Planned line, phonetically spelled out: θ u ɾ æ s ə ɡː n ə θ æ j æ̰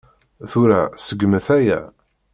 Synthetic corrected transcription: θ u ɾ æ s ə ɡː m ə θ æ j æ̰